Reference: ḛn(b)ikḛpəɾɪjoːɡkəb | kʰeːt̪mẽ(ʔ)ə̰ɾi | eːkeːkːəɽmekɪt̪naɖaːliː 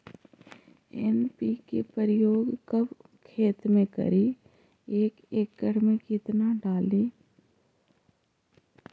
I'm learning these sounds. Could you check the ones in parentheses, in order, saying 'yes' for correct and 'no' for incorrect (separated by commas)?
no, no